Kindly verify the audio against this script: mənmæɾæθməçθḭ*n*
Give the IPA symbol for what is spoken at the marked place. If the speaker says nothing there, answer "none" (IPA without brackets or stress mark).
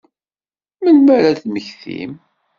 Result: m